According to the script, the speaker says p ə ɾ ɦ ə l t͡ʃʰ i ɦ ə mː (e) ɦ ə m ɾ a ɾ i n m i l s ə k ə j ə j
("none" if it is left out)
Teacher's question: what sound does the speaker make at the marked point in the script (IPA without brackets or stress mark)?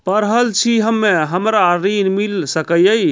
e